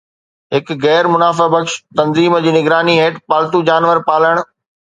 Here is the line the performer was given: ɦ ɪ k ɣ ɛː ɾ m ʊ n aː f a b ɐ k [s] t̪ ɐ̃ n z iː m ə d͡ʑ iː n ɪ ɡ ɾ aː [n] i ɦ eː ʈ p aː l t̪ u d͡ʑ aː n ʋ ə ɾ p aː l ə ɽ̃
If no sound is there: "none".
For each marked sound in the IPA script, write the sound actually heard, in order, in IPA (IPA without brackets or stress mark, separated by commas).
ʃ, n